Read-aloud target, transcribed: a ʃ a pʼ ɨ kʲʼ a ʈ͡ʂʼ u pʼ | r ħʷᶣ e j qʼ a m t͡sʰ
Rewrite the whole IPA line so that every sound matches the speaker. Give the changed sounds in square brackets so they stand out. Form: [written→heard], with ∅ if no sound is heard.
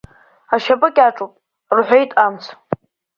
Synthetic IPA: a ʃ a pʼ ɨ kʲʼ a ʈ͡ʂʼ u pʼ | r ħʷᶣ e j [qʼ→tʼ] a m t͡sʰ

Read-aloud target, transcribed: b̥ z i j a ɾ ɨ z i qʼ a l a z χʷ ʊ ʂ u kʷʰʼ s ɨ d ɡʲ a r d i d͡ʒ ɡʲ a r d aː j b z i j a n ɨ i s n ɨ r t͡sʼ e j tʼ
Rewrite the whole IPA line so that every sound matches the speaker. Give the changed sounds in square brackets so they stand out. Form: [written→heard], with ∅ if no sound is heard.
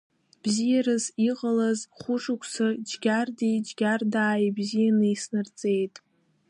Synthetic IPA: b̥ z i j a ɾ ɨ z i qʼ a l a z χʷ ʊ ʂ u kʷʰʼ s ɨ [d→d͡ʒ] ɡʲ a r d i d͡ʒ ɡʲ a r d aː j b z i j a n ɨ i s n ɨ r t͡sʼ e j tʼ

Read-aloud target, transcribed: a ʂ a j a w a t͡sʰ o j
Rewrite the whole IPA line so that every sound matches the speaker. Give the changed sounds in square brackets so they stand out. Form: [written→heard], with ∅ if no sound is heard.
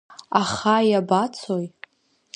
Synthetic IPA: a [ʂ→χ] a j a [w→b] a t͡sʰ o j

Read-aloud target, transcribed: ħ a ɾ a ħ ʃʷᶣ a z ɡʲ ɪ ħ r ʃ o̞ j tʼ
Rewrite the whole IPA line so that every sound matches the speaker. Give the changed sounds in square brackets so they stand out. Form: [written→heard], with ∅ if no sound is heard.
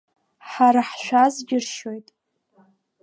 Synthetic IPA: ħ a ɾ a ħ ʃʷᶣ a z ɡʲ ɪ [ħ→∅] r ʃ o̞ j tʼ

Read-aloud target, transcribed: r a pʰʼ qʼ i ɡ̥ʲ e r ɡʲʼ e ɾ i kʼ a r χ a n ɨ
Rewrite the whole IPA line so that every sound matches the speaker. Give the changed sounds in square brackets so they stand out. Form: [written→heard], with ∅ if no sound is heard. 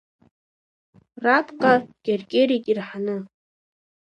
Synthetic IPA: r a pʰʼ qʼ [i→a] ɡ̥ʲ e r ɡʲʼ e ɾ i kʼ [a→i] r [χ→ħ] a n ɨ

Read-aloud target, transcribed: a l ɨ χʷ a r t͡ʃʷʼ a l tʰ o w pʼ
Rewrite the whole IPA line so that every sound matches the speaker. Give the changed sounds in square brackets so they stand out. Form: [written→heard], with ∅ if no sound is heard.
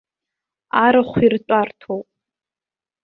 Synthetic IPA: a [l→ɾ] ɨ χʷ [a→i] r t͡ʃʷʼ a [l→r] tʰ o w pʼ

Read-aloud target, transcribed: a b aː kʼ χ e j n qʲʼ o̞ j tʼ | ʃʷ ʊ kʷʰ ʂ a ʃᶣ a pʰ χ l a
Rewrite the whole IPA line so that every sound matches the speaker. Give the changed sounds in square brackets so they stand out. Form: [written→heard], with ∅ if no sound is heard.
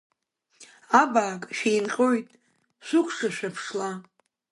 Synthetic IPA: a b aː kʼ [χ→ʃ] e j n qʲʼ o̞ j tʼ | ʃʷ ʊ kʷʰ ʂ a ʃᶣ a pʰ [χ→ʂ] l a

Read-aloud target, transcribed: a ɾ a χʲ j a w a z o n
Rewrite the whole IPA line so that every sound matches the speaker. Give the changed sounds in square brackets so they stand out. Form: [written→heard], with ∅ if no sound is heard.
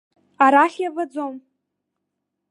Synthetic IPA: a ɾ a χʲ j a [w→v] a [z→d͡z] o [n→m]

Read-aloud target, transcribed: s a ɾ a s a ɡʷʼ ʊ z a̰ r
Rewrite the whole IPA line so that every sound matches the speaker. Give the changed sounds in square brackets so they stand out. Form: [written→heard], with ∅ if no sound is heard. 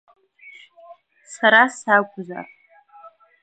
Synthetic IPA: s a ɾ a s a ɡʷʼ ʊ z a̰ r

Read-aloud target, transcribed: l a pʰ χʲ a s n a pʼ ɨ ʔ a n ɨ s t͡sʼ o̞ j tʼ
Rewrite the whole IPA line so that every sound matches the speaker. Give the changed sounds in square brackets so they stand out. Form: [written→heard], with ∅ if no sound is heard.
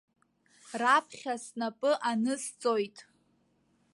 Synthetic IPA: [l→r] a pʰ χʲ a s n a pʼ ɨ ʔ a n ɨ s t͡sʼ o̞ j tʼ

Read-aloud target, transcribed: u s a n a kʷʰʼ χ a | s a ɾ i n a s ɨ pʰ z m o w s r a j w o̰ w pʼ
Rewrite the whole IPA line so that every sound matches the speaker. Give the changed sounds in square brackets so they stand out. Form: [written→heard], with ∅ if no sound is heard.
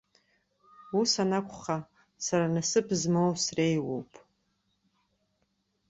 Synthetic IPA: u s a n a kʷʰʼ χ a | s a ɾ [i→a] n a s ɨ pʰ z m o w s r [a→e] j w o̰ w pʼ

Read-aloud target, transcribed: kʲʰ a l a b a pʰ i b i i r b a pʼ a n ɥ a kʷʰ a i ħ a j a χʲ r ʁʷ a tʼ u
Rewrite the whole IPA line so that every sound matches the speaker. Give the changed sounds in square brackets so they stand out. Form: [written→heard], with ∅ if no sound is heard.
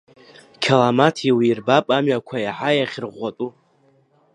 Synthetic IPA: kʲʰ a l a [b→m] a [pʰ→tʰ] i [b→w] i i r b a pʼ a [n→m] ɥ a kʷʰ a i ħ a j a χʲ r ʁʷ a tʼ u

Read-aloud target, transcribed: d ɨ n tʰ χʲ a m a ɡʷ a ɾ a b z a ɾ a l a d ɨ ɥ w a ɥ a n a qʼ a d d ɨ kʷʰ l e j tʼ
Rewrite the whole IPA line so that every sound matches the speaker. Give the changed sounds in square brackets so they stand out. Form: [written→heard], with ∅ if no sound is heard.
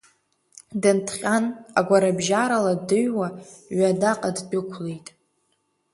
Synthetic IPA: d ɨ n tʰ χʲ a [m→n] a ɡʷ a ɾ a b [z→ʒ] a ɾ a l a d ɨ ɥ w a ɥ a [n→d] a qʼ a d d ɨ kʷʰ l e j tʼ

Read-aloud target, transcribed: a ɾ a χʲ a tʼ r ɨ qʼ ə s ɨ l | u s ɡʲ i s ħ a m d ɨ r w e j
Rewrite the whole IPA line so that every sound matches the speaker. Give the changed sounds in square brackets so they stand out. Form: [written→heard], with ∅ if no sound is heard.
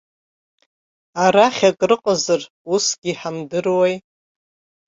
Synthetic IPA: a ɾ a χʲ a [tʼ→kʼ] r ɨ qʼ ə [s→z] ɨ [l→r] | u s ɡʲ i [s→∅] ħ a m d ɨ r w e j

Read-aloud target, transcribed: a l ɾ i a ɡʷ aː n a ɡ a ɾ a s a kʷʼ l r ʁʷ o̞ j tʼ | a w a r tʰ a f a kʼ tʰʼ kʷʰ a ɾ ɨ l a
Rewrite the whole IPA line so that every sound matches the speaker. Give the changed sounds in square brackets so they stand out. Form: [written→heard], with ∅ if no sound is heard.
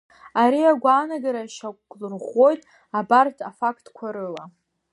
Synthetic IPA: a [l→∅] ɾ i a ɡʷ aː n a ɡ a ɾ a [s→ʃ] a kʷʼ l r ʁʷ o̞ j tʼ | a [w→b] a r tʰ a f a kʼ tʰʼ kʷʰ a ɾ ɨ l a

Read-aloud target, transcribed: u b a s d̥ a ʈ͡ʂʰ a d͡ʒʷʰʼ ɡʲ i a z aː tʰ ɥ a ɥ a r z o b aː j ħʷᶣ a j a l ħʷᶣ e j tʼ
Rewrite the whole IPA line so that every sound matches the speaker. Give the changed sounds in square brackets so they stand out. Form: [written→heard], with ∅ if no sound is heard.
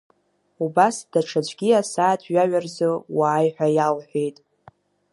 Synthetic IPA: u b a s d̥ a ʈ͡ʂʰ a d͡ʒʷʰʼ ɡʲ i a [z→s] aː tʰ ɥ a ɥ a r z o [b→w] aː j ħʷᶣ a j a l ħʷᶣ e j tʼ

